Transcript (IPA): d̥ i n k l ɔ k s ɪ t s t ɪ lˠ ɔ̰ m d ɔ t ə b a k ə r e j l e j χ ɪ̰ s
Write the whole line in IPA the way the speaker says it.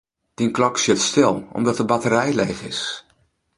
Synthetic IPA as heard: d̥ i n k l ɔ k s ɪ t s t ɪ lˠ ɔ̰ m d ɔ t ə b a t ə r ɛ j l e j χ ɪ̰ s